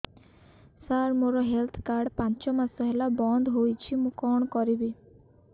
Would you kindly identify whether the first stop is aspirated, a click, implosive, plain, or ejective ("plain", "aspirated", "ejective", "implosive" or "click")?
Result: aspirated